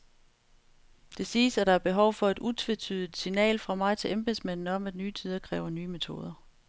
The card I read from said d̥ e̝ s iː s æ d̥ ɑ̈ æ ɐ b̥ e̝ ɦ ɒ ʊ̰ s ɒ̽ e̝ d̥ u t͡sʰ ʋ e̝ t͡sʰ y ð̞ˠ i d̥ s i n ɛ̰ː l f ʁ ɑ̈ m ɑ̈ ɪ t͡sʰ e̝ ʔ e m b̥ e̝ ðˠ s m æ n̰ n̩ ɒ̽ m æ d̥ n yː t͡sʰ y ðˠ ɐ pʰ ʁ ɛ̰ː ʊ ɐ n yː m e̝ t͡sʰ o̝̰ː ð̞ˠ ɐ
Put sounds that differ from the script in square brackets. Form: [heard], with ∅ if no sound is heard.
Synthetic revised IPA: d̥ e̝ s iː s æ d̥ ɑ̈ æ ɐ b̥ e̝ ɦ ɒ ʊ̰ [f] ɒ̽ e̝ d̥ u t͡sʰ ʋ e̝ t͡sʰ y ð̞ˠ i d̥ s i n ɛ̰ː l f ʁ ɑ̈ m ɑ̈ ɪ t͡sʰ e̝ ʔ e m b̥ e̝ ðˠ s m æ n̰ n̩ ɒ̽ m æ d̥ n yː t͡sʰ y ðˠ ɐ [kʰ] ʁ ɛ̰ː ʊ ɐ n yː m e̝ t͡sʰ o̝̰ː ð̞ˠ ɐ

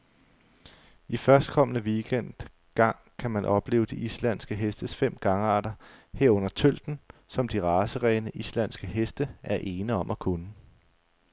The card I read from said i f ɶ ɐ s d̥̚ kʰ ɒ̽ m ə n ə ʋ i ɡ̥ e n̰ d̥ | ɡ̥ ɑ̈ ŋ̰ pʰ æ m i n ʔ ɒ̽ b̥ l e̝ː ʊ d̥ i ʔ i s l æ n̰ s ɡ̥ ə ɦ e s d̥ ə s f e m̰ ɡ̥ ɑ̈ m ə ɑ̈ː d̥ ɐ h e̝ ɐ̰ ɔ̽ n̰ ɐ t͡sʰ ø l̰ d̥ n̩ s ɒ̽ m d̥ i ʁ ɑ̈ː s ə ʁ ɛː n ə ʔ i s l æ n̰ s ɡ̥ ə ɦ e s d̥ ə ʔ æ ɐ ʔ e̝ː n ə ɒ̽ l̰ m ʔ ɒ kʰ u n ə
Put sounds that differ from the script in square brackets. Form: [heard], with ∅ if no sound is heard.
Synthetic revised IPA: i f ɶ ɐ s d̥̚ kʰ ɒ̽ m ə n ə ʋ i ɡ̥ e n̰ d̥ | ɡ̥ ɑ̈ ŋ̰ [kʰ] æ m [æ] n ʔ ɒ̽ b̥ l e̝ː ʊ d̥ i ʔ i s l æ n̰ s ɡ̥ ə ɦ e s d̥ ə s f e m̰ ɡ̥ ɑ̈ [ŋ] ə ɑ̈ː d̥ ɐ h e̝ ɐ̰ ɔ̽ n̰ ɐ t͡sʰ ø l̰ d̥ n̩ s ɒ̽ m d̥ i ʁ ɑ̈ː s ə ʁ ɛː n ə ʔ i s l æ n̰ s ɡ̥ ə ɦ e s d̥ ə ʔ æ ɐ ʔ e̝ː n ə ɒ̽ [∅] m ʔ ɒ kʰ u n ə

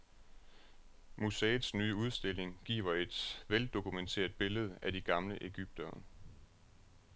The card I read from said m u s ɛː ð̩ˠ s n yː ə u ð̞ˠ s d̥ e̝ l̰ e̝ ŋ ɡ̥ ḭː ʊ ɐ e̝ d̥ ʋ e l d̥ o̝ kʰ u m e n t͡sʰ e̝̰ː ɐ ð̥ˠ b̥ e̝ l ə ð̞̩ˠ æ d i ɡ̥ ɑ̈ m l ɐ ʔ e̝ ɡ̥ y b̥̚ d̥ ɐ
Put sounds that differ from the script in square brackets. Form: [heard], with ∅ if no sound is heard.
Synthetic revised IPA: m u s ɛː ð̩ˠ s n yː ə u ð̞ˠ s d̥ e̝ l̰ e̝ ŋ ɡ̥ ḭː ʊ ɐ e̝ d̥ ʋ e l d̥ o̝ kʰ u m e n t͡sʰ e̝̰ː ɐ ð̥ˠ b̥ e̝ l ə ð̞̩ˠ æ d i ɡ̥ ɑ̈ m l [ə] ʔ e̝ ɡ̥ y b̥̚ d̥ ɐ

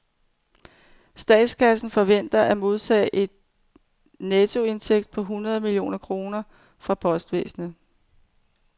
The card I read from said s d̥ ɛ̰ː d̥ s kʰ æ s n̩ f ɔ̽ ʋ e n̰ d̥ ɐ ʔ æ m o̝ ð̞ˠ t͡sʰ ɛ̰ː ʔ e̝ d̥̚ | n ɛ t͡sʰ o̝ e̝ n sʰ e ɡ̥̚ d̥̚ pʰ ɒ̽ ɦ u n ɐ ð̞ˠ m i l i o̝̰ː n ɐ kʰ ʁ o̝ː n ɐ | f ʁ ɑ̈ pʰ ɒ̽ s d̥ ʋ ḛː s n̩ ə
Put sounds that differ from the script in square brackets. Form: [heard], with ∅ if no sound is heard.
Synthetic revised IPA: s d̥ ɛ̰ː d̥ s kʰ æ s n̩ f [ɒ̽] ʋ e n̰ d̥ ɐ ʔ æ m o̝ ð̞ˠ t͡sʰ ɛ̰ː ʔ e̝ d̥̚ | n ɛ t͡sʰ o̝ e̝ n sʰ e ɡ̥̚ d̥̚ pʰ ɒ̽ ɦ u n ɐ ð̞ˠ m i l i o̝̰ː n ɐ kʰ ʁ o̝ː n ɐ | f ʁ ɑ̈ pʰ ɒ̽ s d̥ ʋ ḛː s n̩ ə

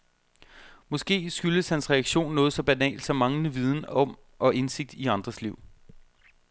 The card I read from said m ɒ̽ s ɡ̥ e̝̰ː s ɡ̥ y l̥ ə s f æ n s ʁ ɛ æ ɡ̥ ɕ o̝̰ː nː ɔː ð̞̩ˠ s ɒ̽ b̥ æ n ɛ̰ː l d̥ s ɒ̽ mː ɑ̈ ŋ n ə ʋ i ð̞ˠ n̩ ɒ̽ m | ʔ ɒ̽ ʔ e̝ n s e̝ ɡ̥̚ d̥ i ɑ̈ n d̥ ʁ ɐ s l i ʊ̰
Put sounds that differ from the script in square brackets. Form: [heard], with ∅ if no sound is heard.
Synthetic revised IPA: m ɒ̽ s ɡ̥ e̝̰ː s ɡ̥ y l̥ ə s [h] æ n s ʁ ɛ æ ɡ̥ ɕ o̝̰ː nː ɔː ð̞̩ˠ s ɒ̽ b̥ æ n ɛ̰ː l d̥ s ɒ̽ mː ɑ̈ ŋ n ə ʋ i ð̞ˠ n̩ ɒ̽ m | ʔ ɒ̽ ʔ e̝ n s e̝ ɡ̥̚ d̥ i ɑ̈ n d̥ ʁ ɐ s l i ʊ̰

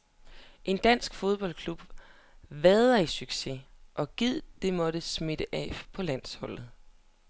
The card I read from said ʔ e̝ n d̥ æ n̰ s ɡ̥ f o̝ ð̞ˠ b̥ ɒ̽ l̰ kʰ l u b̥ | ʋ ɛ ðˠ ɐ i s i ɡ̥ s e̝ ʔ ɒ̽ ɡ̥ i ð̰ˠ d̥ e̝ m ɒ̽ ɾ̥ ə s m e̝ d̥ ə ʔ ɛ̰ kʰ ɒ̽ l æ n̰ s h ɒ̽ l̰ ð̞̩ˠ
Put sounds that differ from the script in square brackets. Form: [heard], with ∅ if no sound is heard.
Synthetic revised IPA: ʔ e̝ n d̥ æ n̰ s ɡ̥ f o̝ ð̞ˠ b̥ ɒ̽ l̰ kʰ l u b̥ | ʋ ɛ ðˠ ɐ i s [y] ɡ̥ s e̝ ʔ ɒ̽ ɡ̥ i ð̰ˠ d̥ e̝ m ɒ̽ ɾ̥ ə s m e̝ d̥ ə ʔ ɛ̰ [pʰ] ɒ̽ l æ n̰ s h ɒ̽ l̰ ð̞̩ˠ

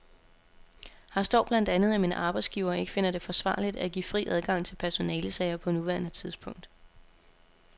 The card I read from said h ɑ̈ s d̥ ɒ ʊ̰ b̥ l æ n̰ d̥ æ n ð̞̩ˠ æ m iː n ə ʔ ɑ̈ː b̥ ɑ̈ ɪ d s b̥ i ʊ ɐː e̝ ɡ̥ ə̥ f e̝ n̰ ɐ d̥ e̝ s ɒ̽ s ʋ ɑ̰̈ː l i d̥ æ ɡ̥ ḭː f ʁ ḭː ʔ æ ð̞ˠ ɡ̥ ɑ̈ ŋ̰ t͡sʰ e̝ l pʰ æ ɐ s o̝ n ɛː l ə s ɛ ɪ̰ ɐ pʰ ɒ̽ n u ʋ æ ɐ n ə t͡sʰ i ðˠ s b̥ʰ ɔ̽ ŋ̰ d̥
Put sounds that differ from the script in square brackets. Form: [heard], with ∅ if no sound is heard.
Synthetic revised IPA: h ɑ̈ s d̥ ɒ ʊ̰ b̥ l æ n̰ d̥ æ n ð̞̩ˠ æ m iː n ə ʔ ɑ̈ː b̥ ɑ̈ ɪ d s [ɡ̥] i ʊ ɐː e̝ ɡ̥ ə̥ f e̝ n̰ ɐ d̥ e̝ [f] ɒ̽ s ʋ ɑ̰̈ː l i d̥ æ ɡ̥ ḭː f ʁ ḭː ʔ æ ð̞ˠ ɡ̥ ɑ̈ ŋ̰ t͡sʰ e̝ l pʰ æ ɐ s o̝ n ɛː l ə s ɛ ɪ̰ ɐ pʰ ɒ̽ n u ʋ æ ɐ n ə t͡sʰ i ðˠ s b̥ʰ ɔ̽ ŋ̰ d̥

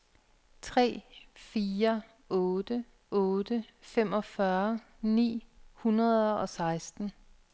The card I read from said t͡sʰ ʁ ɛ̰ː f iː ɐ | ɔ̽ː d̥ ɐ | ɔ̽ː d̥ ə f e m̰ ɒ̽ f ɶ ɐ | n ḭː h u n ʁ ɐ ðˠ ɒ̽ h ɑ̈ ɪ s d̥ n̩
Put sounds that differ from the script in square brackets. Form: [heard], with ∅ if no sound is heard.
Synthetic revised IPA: t͡sʰ ʁ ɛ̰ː f iː ɐ | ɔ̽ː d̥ [ə] | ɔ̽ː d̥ ə f e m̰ ɒ̽ f ɶ ɐ | n ḭː h u n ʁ ɐ ðˠ ɒ̽ [s] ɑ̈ ɪ s d̥ n̩

